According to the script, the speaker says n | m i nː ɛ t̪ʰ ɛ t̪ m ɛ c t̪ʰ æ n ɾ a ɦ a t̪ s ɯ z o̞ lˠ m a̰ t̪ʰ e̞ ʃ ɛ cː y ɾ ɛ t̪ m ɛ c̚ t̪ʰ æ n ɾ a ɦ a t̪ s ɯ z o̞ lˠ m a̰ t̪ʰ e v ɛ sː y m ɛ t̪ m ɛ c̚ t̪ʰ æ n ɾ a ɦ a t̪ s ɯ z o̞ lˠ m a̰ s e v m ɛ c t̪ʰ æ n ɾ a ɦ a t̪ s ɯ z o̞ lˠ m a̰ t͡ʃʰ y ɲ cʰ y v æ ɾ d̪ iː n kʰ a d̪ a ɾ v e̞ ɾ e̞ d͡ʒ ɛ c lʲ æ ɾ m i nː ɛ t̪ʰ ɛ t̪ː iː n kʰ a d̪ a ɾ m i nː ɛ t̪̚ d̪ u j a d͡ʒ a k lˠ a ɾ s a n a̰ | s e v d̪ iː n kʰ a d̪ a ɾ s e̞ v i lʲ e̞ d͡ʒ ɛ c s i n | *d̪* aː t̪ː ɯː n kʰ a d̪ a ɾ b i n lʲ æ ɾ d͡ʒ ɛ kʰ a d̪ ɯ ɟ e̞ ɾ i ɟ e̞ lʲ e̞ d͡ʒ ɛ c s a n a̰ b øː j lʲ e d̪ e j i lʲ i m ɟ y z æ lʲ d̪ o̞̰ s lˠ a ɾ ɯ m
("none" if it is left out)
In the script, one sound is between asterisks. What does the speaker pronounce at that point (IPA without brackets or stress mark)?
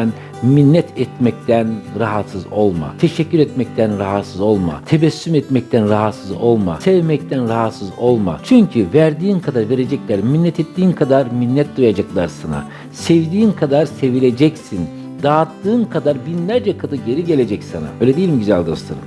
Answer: d̪